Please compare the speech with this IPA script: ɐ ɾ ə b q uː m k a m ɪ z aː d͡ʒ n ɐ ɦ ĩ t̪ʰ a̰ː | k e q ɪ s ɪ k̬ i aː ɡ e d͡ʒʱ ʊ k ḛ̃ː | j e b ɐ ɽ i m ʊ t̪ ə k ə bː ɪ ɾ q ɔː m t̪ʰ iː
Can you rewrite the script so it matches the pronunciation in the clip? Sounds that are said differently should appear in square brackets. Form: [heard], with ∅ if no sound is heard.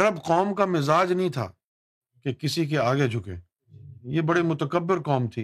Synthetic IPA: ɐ ɾ ə b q [ɔː] m k a m ɪ z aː d͡ʒ n ɐ ɦ ĩ t̪ʰ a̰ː | k e [k] ɪ s [i] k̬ [e] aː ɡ e d͡ʒʱ ʊ k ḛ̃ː | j e b ɐ ɽ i m ʊ t̪ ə k ə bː ɪ ɾ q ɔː m t̪ʰ iː